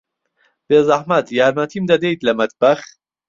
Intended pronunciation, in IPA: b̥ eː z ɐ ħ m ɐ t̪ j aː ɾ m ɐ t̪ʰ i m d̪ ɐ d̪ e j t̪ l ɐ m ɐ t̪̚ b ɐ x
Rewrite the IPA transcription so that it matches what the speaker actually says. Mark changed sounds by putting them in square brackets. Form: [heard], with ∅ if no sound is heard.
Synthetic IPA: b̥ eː z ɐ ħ m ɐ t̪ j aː ɾ m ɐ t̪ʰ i m d̪ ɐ d̪ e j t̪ l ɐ m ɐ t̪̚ b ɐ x